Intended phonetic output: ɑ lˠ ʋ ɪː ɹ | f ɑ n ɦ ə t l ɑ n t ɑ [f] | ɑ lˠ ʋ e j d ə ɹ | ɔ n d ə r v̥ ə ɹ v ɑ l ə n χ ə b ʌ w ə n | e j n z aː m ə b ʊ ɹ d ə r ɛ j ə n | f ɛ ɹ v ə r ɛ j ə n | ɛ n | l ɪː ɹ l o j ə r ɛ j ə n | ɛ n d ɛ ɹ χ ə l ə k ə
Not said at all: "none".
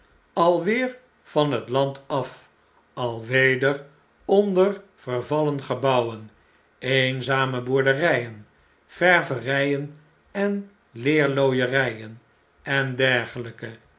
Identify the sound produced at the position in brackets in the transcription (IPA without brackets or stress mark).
f